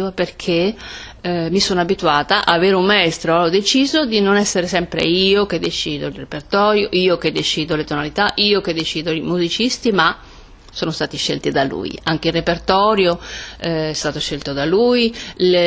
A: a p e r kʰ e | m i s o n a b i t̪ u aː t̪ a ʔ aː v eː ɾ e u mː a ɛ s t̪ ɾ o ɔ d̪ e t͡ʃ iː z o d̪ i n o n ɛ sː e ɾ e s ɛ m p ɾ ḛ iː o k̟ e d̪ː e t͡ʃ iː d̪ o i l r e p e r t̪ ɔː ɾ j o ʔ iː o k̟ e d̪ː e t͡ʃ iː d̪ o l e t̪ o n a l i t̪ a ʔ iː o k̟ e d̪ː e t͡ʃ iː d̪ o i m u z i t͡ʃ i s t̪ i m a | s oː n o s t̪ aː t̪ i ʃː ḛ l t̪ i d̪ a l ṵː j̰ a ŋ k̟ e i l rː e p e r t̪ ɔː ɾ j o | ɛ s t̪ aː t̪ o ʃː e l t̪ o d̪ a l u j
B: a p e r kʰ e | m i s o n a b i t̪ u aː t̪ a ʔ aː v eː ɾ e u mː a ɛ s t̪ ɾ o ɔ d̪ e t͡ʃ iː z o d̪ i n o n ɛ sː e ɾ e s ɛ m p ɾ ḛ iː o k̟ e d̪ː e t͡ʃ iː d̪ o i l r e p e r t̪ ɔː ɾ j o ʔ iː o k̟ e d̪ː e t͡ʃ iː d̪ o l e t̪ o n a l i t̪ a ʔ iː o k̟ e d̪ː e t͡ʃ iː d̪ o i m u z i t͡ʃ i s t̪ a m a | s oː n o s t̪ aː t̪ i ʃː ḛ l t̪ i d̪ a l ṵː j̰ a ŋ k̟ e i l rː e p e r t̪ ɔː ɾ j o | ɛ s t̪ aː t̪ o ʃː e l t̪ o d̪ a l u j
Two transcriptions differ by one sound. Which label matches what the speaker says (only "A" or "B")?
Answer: A